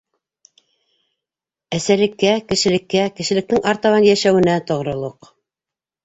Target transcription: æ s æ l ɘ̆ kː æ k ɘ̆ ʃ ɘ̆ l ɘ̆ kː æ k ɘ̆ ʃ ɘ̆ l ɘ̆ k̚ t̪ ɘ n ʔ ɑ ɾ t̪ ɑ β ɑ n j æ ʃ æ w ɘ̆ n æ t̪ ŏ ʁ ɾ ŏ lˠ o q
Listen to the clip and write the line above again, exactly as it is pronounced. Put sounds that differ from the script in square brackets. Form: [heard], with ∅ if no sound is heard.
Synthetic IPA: æ s æ l ɘ̆ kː æ k ɘ̆ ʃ ɘ̆ l ɘ̆ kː æ k ɘ̆ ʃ ɘ̆ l ɘ̆ k̚ t̪ ɘ [ŋ] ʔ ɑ ɾ t̪ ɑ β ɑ n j æ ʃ æ w ɘ̆ n æ t̪ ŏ ʁ ɾ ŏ lˠ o q